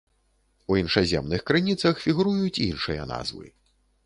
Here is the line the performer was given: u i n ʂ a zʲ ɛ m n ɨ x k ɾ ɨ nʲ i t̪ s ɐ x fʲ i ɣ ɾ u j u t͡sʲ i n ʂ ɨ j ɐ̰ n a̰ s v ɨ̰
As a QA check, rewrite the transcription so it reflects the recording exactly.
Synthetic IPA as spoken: u i n ʂ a zʲ ɛ m n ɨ x k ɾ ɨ nʲ i t̪ s ɐ x fʲ i ɣ ɾ u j u t͡sʲ i n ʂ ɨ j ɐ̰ n a̰ z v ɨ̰

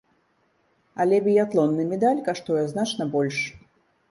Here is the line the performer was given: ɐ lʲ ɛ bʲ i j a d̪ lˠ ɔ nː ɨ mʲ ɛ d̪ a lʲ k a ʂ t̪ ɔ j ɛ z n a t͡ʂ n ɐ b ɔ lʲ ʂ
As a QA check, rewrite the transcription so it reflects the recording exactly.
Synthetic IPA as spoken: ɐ lʲ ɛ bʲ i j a t̪ lˠ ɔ nː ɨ mʲ ɛ d̪ a lʲ k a ʂ t̪ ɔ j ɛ z n a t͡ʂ n ɐ b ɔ lʲ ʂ

